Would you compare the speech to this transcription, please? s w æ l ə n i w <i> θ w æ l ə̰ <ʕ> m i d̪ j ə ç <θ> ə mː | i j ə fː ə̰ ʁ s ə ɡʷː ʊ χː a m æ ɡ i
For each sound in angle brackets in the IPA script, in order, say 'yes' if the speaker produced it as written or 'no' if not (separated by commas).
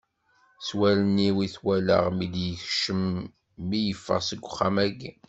yes, no, no